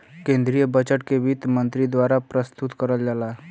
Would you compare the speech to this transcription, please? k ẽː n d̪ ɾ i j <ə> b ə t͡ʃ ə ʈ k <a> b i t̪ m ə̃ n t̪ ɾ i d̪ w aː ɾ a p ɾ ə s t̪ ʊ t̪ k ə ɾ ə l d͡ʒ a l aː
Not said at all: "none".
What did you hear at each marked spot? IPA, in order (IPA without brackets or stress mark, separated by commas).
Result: ə, e